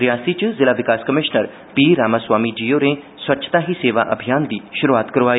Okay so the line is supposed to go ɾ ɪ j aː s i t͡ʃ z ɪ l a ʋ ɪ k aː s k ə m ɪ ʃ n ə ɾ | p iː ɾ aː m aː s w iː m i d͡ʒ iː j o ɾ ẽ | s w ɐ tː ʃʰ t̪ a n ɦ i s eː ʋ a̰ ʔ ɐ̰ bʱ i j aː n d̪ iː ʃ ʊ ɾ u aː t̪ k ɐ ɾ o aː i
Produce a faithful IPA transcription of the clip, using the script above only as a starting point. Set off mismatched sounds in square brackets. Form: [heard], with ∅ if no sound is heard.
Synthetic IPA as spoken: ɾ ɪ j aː s i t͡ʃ z ɪ l a ʋ ɪ k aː s k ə m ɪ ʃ n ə ɾ | p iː ɾ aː m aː s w [aː] m i d͡ʒ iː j o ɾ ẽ | s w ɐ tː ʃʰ t̪ a [∅] ɦ i s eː ʋ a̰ ʔ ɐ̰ bʱ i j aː n d̪ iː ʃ ʊ ɾ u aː t̪ k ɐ ɾ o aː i